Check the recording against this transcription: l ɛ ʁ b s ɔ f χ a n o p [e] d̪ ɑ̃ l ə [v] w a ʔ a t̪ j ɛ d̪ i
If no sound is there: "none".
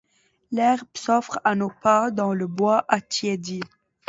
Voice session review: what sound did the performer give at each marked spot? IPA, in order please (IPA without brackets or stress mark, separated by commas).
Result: a, b